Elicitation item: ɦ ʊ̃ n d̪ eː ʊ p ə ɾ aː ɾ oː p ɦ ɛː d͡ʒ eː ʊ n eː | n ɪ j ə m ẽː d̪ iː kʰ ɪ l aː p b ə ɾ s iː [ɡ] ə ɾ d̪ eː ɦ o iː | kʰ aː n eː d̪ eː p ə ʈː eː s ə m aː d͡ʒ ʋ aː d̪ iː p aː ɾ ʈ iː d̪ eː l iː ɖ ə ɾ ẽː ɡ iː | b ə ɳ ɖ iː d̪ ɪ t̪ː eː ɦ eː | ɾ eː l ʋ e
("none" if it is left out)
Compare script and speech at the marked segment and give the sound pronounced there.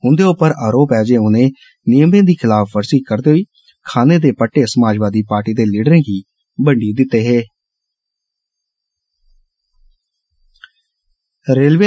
k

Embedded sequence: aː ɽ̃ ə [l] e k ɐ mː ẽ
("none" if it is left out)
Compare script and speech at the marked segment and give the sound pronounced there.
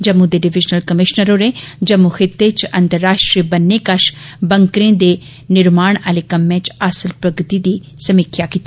l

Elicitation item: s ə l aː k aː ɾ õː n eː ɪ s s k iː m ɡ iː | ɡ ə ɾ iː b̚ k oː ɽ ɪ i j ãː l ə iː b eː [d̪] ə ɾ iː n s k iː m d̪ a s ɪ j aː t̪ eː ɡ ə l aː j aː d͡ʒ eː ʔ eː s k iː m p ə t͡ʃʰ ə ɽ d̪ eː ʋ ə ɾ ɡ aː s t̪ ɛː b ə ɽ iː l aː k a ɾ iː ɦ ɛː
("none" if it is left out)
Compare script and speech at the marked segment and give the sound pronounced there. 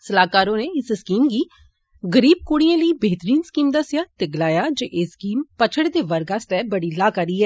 t̪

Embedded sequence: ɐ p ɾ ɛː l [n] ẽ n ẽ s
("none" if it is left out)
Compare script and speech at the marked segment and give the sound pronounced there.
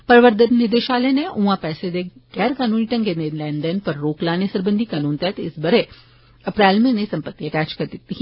m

